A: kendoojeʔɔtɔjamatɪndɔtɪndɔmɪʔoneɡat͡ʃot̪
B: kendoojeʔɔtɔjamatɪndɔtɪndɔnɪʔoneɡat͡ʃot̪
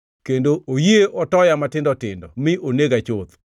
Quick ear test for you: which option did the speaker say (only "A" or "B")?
A